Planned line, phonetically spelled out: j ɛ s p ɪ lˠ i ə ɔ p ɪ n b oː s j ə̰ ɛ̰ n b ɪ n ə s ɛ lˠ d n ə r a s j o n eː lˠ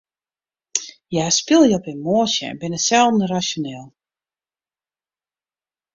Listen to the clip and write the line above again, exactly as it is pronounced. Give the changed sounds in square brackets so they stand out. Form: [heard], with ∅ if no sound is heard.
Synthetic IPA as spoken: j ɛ s p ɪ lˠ [j] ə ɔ p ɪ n [m] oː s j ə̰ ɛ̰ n b ɪ n ə s ɛ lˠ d n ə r a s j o n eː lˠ